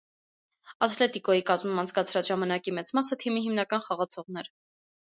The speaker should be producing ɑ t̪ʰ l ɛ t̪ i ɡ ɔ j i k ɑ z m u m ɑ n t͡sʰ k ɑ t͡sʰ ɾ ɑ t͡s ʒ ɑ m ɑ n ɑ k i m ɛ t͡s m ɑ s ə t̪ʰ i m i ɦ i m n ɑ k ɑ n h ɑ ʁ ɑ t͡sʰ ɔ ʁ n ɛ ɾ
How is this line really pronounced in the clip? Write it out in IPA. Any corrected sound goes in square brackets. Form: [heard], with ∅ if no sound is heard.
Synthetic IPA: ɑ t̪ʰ l ɛ t̪ i [k] ɔ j i k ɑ z m u m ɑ n t͡sʰ k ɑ t͡sʰ ɾ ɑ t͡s ʒ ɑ m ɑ n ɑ k i m ɛ t͡s m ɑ s ə t̪ʰ i m i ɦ i m n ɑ k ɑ n [χ] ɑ ʁ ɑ t͡sʰ ɔ ʁ n ɛ ɾ